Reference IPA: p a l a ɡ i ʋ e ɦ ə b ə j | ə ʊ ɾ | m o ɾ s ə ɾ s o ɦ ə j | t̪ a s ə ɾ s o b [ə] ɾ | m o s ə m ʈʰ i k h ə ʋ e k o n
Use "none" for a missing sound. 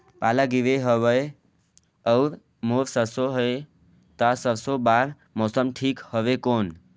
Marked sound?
a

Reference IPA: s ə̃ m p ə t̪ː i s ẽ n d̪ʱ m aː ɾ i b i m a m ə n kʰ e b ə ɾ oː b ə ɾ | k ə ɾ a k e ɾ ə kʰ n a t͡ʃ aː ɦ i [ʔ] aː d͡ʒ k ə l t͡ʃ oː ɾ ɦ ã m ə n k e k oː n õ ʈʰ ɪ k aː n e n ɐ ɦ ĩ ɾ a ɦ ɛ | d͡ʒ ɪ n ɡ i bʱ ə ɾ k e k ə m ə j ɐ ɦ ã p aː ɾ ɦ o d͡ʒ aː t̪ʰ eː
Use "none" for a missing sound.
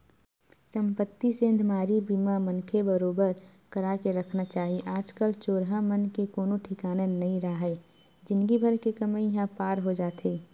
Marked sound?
ʔ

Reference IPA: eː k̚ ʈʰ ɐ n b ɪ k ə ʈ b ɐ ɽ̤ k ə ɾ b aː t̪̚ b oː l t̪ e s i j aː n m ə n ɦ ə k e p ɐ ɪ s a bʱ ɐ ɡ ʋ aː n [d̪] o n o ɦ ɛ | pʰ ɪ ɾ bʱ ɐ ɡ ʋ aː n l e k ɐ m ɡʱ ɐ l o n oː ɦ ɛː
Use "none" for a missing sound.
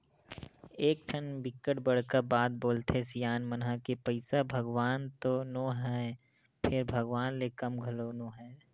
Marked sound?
t̪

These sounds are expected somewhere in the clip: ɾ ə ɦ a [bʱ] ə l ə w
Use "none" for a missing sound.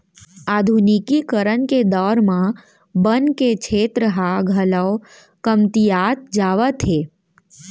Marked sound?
ɡʱ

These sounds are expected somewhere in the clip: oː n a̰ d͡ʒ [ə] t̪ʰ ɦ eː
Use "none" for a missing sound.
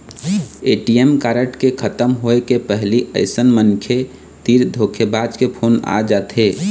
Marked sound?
a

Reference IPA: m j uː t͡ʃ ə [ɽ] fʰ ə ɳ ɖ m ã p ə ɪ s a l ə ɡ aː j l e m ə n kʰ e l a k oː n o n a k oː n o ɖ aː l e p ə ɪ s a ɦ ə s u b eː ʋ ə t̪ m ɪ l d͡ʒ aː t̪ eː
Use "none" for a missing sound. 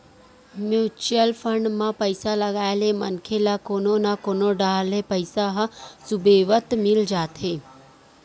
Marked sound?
l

